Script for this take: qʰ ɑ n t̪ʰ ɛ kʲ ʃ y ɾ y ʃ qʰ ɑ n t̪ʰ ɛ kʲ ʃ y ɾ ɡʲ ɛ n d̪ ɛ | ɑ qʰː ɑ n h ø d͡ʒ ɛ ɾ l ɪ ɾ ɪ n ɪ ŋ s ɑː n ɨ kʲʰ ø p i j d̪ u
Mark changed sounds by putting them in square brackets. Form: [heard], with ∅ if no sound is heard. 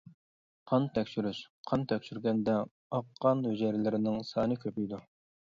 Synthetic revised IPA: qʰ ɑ n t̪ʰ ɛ kʲ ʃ y ɾ y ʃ qʰ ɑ n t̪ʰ ɛ kʲ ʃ y ɾ ɡʲ ɛ n d̪ ɛ | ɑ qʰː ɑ n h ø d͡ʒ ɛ ɾ l ɪ ɾ ɪ n ɪ ŋ s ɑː n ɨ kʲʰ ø p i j d̪ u